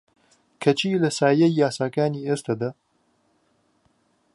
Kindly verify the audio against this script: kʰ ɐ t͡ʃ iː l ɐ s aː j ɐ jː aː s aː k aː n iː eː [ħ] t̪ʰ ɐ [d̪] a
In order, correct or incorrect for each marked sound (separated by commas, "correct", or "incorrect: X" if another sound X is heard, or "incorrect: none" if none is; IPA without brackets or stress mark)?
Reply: incorrect: s, correct